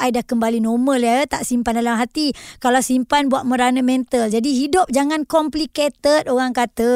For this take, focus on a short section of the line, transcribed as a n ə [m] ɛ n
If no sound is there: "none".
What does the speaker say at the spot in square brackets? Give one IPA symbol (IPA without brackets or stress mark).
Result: m